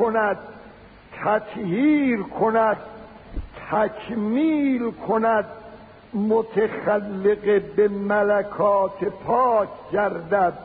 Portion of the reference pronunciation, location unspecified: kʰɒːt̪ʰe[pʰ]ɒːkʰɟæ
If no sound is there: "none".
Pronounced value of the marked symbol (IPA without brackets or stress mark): pʰ